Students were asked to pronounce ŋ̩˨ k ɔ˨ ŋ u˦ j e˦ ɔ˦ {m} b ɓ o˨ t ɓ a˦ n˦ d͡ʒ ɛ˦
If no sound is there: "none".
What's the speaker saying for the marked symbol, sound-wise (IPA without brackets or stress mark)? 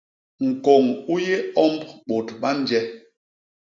m